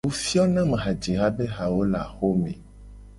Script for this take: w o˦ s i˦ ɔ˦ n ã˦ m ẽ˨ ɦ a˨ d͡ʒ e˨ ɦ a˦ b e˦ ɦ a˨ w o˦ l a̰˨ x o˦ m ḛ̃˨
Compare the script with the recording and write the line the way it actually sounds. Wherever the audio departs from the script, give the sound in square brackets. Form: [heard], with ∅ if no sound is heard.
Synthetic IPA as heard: w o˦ [f] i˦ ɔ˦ n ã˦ m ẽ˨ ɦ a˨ d͡ʒ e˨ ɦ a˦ b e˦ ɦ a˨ w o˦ l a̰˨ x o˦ m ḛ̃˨